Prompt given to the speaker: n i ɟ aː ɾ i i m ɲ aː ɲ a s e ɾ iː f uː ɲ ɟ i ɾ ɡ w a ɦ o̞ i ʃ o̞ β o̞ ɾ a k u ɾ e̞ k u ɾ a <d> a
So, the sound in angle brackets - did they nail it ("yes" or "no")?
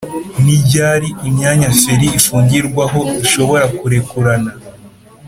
no